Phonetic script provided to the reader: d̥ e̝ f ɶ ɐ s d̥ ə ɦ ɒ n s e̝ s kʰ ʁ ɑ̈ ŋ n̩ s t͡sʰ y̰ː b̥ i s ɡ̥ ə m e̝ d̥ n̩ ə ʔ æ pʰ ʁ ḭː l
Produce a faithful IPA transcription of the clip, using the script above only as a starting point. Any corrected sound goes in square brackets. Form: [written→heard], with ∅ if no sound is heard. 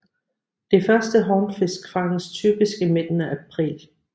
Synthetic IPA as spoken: d̥ e̝ f ɶ ɐ s d̥ ə ɦ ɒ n [s→f] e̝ s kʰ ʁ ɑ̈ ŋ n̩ s t͡sʰ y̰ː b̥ i s ɡ̥ ə m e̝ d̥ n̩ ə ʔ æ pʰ ʁ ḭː l